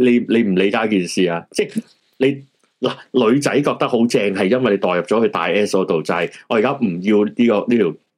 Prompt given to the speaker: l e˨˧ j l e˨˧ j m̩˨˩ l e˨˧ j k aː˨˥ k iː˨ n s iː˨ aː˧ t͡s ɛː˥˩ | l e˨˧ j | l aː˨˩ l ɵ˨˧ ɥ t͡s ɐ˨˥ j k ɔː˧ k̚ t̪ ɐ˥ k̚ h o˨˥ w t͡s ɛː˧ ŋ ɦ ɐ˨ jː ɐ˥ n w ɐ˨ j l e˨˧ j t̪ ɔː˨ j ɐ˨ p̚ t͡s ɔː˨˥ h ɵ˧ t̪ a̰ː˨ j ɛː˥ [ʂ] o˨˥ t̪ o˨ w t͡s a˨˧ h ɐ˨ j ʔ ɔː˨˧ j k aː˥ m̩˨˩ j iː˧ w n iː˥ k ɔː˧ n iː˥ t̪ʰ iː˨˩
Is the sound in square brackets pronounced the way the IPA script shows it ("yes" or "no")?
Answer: no